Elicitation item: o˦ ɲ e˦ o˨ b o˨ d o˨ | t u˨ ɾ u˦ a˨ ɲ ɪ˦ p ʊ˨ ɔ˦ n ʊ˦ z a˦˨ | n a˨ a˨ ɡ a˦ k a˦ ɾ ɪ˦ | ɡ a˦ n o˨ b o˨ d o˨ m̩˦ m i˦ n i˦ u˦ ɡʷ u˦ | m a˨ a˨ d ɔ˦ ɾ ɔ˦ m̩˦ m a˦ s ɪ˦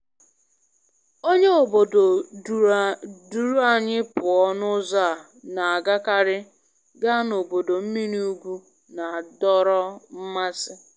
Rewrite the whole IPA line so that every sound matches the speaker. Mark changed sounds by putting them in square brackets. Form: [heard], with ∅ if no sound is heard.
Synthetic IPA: o˦ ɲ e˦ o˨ b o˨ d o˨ | [d] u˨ ɾ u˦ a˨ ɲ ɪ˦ p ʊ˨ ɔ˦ n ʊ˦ z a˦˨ | n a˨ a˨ ɡ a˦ k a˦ ɾ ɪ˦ | ɡ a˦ n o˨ b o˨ d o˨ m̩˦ m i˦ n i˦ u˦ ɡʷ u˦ | [n] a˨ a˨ d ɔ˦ ɾ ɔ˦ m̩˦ m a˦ s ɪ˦